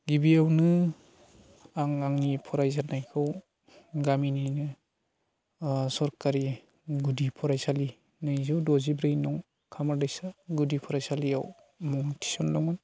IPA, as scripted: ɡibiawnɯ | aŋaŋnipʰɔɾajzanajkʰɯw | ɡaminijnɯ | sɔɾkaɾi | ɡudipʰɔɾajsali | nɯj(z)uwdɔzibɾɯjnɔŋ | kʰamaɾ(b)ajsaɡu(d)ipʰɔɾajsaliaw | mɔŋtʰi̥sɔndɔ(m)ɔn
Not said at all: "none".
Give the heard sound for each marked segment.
z, d, d, ŋ

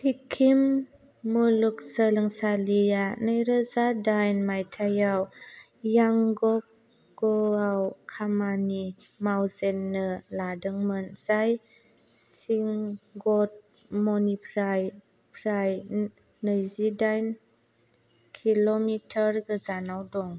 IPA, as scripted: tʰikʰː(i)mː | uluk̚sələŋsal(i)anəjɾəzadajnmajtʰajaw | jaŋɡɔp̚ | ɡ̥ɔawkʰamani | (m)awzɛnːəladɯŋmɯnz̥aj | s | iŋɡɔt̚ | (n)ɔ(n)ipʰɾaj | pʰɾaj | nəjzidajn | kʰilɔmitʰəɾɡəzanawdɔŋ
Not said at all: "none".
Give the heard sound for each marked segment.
i, i, m, m, n

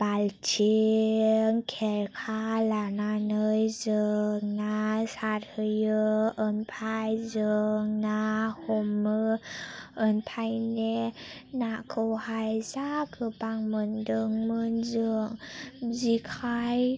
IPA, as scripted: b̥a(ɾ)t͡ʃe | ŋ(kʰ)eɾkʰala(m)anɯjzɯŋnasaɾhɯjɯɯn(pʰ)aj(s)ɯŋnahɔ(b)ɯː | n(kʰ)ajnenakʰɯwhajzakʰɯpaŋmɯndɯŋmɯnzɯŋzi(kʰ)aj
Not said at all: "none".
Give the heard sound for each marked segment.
l, kʰ, n, pʰ, z, m, pʰ, kʰ

